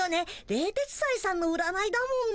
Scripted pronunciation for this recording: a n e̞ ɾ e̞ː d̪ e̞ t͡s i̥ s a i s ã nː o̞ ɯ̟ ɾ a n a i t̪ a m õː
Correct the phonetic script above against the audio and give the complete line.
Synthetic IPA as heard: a n e̞ ɾ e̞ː t̪ e̞ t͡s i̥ s a i s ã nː o̞ ɯ̟ ɾ a n a i d̪ a m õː